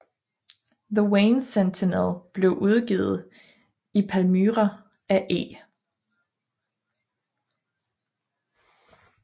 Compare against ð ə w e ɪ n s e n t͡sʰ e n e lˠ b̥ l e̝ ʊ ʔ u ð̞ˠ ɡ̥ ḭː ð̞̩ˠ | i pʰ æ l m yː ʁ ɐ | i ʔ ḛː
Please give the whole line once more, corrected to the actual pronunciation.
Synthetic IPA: ð ə w e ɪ n s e n t͡sʰ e n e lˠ b̥ l e̝ ʊ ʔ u ð̞ˠ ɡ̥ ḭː ð̞̩ˠ | i pʰ æ l m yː ʁ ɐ | æ ʔ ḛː

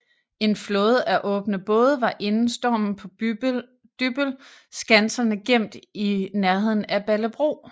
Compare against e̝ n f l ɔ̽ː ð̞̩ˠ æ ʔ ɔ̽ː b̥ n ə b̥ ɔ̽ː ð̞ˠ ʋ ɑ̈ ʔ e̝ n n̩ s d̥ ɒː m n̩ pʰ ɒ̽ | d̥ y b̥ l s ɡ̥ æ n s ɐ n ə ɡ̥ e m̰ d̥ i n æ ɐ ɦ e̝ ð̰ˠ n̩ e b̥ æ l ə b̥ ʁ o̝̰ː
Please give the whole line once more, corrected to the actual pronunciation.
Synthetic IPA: e̝ n f l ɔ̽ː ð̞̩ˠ æ ʔ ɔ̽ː b̥ n ə b̥ ɔ̽ː ð̞ˠ ʋ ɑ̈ ʔ e̝ n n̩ s d̥ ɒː m n̩ pʰ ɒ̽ | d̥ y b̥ l s ɡ̥ æ n s ɐ n ə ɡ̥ e m̰ d̥ i n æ ɐ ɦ e̝ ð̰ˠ n̩ æ b̥ æ l ə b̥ ʁ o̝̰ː

